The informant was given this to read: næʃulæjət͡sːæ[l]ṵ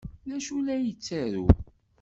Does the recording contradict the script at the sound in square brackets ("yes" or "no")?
yes